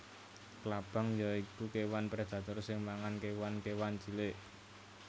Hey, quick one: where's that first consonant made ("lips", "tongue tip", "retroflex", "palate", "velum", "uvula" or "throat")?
velum